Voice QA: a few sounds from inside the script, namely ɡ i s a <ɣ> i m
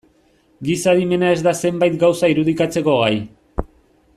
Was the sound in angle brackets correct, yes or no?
no